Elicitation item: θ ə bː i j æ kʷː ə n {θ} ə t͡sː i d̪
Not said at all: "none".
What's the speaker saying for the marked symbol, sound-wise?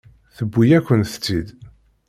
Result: θ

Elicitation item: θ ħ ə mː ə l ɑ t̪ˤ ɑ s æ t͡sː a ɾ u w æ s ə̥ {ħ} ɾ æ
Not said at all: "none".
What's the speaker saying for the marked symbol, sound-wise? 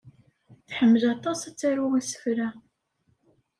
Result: f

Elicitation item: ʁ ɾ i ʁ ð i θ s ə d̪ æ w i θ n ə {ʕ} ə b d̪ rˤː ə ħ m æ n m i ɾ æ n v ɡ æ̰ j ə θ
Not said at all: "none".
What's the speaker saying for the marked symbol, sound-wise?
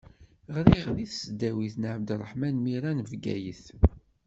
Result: ʕ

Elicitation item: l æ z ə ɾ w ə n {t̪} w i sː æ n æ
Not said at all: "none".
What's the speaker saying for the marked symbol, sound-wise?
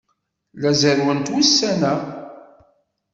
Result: t̪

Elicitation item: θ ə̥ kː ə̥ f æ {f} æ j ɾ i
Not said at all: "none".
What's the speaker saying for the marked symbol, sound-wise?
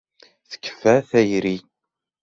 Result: θ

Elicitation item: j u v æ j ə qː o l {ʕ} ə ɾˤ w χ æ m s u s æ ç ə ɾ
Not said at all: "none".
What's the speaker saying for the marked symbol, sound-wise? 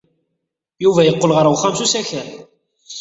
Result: ʁ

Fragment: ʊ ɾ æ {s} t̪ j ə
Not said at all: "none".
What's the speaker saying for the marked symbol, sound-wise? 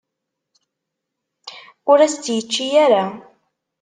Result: s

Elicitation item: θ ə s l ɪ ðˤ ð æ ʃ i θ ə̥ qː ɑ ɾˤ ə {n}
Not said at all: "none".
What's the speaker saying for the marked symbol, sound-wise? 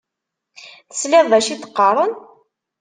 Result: n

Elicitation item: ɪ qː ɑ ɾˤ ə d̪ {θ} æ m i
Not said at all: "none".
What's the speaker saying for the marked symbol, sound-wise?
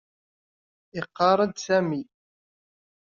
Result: s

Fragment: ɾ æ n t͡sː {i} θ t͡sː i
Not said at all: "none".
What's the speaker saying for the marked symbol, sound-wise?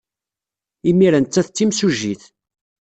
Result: æ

